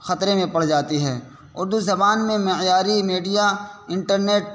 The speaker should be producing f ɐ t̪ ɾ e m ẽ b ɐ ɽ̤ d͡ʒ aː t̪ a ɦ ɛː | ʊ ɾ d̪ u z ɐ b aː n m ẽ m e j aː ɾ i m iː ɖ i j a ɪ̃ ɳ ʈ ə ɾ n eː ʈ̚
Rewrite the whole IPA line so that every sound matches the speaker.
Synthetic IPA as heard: x ɐ t̪ ɾ e m ẽ p ɐ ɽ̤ d͡ʒ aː t̪ i ɦ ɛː | ʊ ɾ d̪ u z ɐ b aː n m ẽ m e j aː ɾ i m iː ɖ i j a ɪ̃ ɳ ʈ ə ɾ n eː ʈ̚